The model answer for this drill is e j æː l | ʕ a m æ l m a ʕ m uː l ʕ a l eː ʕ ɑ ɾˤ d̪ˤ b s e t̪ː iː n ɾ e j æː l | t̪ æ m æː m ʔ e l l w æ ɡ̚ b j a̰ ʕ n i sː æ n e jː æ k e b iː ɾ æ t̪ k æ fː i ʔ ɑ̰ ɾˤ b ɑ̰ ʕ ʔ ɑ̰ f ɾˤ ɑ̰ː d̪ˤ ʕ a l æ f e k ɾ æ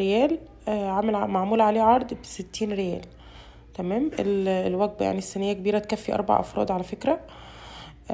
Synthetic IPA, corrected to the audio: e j æː l | ʕ a m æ l m a ʕ m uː l ʕ a l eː ʕ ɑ ɾˤ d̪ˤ b s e t̪ː iː n ɾ e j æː l | t̪ æ m æː m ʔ e l l w æ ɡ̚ b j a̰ ʕ n i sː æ n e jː æ k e b iː ɾ æ t̪ k æ fː i ʔ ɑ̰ ɾˤ b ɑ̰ ʕ ʔ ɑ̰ f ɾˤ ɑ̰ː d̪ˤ ʕ a l æ f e k ɾ æ